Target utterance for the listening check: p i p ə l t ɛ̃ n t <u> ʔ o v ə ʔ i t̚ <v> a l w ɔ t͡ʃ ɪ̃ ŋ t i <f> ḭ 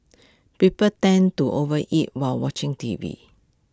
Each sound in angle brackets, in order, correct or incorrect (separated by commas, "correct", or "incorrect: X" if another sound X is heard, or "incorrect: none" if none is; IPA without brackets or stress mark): correct, incorrect: w, incorrect: v